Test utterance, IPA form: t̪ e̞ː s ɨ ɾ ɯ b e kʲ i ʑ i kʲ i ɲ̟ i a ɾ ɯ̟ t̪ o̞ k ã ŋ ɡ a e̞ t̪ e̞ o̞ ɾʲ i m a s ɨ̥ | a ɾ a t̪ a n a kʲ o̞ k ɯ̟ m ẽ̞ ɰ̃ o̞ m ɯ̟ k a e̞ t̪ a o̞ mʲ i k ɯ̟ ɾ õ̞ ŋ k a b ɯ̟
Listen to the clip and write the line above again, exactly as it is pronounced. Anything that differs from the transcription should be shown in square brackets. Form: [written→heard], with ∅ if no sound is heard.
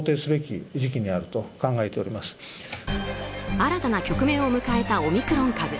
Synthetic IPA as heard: t̪ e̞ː s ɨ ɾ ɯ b e kʲ i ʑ i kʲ i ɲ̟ i a ɾ ɯ̟ t̪ o̞ k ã ŋ ɡ a e̞ t̪ e̞ o̞ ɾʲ i m a s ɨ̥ | a ɾ a t̪ a n a kʲ o̞ k ɯ̟ m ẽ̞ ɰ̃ o̞ m ɯ̟ k a e̞ t̪ a o̞ mʲ i k ɯ̟ ɾ õ̞ ŋ k a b ɯ̟

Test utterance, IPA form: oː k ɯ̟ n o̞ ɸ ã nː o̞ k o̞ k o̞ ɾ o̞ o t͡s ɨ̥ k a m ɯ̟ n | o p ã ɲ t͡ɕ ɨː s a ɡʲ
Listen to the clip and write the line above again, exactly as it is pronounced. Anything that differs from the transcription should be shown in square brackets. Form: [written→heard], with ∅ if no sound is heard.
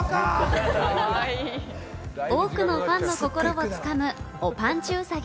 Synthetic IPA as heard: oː k ɯ̟ n o̞ ɸ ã nː o̞ k o̞ k o̞ ɾ o̞ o t͡s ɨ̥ k a m ɯ̟ [n→∅] | o p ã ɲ t͡ɕ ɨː s a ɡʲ

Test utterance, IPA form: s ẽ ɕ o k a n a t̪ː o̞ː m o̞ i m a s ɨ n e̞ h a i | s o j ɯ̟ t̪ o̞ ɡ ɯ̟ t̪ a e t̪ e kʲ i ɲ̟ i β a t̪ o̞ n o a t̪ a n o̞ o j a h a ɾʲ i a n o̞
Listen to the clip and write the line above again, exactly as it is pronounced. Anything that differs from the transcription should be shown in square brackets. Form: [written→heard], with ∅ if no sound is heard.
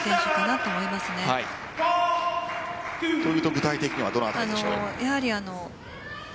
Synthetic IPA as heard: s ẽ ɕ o k a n a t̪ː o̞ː m o̞ i m a s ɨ n e̞ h a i | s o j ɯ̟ t̪ o̞ ɡ ɯ̟ t̪ a [e→i] t̪ e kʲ i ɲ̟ i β a [t̪→d̪] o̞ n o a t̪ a n o̞ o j a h a ɾʲ i a n o̞

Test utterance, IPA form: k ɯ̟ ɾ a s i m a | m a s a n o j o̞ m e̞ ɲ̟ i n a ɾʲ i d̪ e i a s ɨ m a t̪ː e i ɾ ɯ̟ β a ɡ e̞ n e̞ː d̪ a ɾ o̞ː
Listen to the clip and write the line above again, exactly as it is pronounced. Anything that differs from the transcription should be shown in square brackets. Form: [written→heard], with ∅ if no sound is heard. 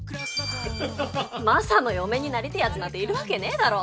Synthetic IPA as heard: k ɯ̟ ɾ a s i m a | m a s a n o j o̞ m e̞ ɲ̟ i n a ɾʲ i [d̪→t̪] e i a [s→t͡s] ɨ m a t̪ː e i ɾ ɯ̟ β a [ɡ→k] e̞ n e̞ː d̪ a ɾ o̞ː

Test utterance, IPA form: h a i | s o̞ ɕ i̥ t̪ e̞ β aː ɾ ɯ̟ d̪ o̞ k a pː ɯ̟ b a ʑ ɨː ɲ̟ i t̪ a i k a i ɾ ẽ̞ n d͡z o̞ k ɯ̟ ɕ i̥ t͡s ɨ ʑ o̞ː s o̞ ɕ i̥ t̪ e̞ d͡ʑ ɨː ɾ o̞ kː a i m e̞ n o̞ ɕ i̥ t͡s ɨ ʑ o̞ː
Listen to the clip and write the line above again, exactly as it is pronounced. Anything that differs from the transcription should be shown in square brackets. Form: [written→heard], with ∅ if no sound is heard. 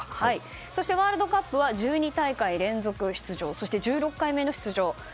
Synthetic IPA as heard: h a i | s o̞ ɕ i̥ t̪ e̞ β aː ɾ ɯ̟ d̪ o̞ k a pː ɯ̟ [b→β] a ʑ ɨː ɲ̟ i t̪ a i k a i ɾ ẽ̞ n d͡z o̞ k ɯ̟ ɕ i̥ t͡s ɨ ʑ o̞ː s o̞ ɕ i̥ t̪ e̞ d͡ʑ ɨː ɾ o̞ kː a i m e̞ n o̞ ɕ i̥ t͡s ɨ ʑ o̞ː

